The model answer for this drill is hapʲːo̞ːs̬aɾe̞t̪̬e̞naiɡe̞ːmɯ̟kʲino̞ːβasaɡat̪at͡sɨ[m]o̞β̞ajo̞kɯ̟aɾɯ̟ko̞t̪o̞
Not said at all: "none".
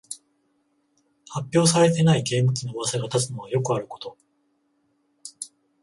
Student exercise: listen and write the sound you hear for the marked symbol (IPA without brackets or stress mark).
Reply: n